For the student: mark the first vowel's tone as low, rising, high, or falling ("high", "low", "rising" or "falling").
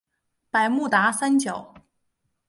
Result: low